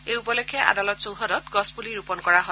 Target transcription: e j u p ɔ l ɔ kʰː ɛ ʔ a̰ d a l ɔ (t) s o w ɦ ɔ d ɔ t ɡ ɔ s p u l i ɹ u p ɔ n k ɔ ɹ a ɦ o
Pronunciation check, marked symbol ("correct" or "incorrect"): correct